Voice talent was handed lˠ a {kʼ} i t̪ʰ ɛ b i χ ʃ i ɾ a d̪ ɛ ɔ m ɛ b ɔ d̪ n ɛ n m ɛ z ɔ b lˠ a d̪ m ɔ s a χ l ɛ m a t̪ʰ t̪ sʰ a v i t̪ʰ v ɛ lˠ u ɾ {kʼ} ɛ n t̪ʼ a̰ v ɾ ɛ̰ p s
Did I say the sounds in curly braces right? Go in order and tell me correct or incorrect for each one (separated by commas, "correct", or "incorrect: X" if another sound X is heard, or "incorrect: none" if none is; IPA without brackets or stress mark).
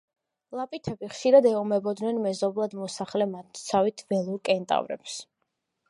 incorrect: pʼ, correct